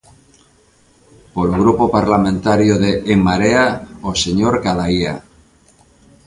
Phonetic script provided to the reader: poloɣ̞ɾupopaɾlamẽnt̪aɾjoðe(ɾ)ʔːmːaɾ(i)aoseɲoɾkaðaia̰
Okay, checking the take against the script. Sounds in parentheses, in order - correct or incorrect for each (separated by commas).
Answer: incorrect, incorrect